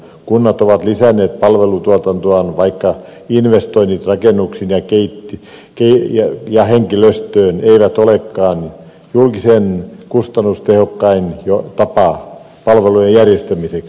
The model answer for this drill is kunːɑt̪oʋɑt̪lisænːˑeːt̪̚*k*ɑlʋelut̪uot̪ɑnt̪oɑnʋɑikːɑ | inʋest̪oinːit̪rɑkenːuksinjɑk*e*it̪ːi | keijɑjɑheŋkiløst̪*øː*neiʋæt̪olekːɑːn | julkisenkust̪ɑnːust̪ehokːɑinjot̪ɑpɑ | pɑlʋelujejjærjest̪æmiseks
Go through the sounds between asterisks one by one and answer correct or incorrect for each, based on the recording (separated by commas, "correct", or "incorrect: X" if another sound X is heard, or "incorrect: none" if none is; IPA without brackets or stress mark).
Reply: incorrect: p, correct, correct